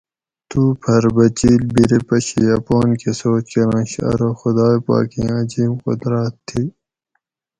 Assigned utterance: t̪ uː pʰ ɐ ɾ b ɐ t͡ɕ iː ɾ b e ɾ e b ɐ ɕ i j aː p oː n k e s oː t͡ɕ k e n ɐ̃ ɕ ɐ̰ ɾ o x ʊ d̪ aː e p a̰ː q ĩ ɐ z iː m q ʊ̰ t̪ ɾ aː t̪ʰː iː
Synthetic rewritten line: t̪ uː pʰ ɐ ɾ b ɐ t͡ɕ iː l b i ɾ e p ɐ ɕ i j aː p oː n k e s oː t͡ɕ k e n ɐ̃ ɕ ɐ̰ ɾ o x ʊ d̪ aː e p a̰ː k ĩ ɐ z iː m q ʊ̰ d̪ ɾ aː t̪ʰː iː